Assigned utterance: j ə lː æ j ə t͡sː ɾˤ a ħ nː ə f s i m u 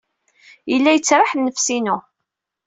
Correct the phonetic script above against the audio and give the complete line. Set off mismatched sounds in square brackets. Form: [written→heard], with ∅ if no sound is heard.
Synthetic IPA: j ə lː æ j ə t͡sː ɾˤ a ħ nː ə f s i [m→n] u